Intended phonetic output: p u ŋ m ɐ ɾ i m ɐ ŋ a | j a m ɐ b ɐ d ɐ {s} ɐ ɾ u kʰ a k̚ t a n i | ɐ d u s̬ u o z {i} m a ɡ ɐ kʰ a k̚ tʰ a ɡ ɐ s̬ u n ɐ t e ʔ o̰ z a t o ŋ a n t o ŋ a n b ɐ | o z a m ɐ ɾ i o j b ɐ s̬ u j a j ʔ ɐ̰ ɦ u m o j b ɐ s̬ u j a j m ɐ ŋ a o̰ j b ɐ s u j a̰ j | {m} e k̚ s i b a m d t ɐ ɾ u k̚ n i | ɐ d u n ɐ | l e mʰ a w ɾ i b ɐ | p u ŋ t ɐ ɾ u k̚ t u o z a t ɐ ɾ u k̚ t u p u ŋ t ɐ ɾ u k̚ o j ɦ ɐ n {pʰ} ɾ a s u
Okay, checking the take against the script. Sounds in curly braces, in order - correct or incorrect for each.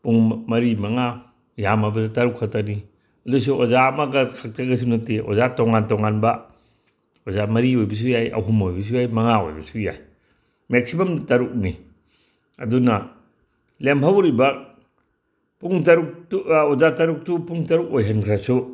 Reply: incorrect: t, incorrect: a, correct, incorrect: kʰ

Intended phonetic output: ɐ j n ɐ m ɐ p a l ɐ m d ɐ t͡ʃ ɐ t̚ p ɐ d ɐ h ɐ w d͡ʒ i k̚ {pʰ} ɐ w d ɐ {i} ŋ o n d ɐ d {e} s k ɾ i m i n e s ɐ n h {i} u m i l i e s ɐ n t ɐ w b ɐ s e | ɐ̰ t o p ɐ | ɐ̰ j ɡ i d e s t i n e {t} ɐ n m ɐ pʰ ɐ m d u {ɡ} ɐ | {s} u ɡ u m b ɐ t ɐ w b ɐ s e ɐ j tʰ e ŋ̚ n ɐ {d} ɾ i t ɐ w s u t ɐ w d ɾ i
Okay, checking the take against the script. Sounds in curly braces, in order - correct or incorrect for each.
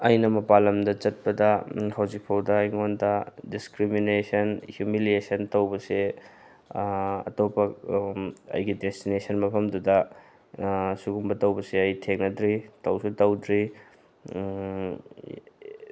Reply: correct, incorrect: j, incorrect: i, incorrect: j, incorrect: s, incorrect: d, correct, correct

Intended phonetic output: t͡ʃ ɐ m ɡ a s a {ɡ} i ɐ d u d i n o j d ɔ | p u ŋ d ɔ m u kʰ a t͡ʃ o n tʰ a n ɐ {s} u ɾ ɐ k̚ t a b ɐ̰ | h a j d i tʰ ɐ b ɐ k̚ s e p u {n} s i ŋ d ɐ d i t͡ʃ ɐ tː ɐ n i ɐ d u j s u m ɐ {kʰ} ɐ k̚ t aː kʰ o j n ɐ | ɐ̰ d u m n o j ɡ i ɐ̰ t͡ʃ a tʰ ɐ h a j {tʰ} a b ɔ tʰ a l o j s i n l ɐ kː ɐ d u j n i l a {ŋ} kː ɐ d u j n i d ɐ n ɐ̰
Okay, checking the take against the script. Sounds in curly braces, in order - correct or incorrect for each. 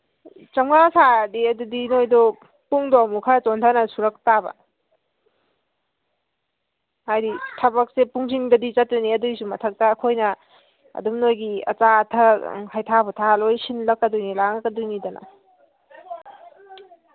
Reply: incorrect: d, correct, incorrect: ŋ, incorrect: tʰ, correct, correct

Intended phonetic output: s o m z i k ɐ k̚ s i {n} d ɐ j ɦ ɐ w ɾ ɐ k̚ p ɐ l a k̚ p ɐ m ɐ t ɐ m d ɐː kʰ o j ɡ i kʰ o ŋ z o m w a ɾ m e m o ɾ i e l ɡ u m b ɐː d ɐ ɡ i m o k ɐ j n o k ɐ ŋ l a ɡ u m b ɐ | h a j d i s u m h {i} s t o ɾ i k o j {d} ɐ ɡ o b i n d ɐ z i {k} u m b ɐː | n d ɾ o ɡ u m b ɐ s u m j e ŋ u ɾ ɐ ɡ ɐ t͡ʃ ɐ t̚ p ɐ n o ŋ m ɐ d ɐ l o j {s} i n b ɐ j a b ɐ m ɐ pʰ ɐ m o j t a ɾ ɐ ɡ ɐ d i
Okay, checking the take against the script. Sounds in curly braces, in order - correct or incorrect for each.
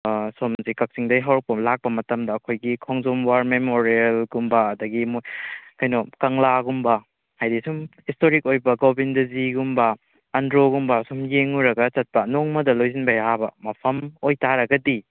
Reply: incorrect: ŋ, correct, incorrect: b, incorrect: ɡ, incorrect: z

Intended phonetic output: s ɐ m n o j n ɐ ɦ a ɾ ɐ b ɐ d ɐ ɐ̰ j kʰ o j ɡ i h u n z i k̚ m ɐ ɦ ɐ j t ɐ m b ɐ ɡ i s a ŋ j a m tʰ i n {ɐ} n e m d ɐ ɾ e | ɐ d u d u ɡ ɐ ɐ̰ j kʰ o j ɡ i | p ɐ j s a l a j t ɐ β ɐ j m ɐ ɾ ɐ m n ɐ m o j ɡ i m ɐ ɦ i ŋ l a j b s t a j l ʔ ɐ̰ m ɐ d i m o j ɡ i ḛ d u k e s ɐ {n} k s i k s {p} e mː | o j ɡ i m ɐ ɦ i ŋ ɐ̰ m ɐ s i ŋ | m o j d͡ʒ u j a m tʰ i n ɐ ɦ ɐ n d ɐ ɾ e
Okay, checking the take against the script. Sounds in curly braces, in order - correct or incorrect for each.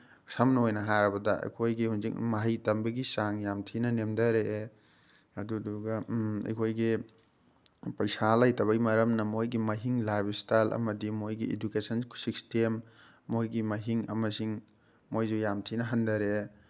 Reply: correct, correct, incorrect: t

